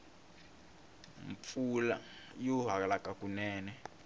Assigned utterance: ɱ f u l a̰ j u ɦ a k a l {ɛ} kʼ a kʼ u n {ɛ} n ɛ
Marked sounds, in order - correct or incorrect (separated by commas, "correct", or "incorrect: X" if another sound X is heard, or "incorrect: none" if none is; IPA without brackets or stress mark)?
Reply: incorrect: a, incorrect: ɛː